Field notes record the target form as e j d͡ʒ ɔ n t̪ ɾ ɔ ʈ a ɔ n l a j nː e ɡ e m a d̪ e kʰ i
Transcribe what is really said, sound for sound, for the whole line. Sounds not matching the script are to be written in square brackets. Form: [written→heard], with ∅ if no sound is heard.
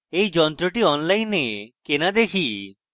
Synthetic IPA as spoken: e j d͡ʒ ɔ n t̪ ɾ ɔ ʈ [a→i] ɔ n l a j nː e [ɡ→k] e [m→n] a d̪ e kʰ i